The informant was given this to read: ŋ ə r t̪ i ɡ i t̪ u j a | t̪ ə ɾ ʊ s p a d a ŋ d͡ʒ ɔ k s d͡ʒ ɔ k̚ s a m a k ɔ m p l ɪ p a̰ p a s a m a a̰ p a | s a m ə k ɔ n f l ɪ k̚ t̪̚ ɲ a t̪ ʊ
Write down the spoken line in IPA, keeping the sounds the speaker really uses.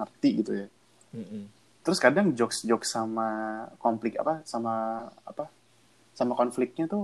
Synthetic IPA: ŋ ə r t̪ i ɡ i t̪ u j a | t̪ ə ɾ ʊ s k a d a ŋ d͡ʒ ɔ k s d͡ʒ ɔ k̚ s a m a k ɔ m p l ɪ k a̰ p a s a m a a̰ p a | s a m a k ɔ n f l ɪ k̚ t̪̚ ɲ a t̪ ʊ